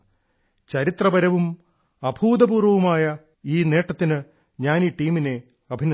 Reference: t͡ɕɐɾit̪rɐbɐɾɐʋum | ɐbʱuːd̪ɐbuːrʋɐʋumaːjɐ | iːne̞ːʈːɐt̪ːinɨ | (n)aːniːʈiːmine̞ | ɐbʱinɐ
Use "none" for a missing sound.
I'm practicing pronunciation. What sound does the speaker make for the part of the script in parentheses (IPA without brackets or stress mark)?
ɲ